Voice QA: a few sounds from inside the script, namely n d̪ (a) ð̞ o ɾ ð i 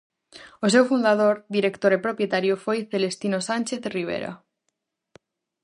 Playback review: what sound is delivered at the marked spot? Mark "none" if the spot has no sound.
a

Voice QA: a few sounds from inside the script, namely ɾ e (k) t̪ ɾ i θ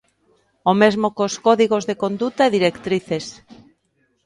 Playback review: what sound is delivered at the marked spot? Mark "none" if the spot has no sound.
k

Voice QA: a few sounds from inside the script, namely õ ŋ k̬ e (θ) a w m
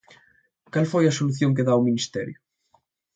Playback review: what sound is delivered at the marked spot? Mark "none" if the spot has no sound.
ð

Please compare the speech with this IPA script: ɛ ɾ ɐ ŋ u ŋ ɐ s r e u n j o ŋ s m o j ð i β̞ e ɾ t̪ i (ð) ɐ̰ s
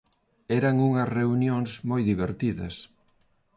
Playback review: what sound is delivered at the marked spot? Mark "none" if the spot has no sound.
ð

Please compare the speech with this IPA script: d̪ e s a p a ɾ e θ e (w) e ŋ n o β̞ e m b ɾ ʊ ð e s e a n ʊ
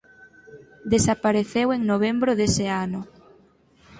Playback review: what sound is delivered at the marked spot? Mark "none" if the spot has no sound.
w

